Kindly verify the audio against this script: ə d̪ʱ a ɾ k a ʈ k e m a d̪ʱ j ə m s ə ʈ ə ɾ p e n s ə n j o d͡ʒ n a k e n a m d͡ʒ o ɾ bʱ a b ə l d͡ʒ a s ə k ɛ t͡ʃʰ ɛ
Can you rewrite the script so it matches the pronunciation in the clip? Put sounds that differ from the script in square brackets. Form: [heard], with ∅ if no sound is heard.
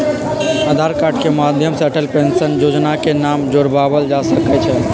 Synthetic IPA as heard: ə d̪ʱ a ɾ k a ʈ k e m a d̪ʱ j ə m s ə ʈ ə [l] p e n s ə n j o d͡ʒ n a k e n a m d͡ʒ o ɾ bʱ a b ə l d͡ʒ a s ə k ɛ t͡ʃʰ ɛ